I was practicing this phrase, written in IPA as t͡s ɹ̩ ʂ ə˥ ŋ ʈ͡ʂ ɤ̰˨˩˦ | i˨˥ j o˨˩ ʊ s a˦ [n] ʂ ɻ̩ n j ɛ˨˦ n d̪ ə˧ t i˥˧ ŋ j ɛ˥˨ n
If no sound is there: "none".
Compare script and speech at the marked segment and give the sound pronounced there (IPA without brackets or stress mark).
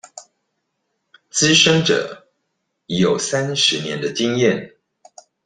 n